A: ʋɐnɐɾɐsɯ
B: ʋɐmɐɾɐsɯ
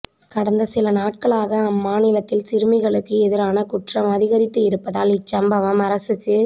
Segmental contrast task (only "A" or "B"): B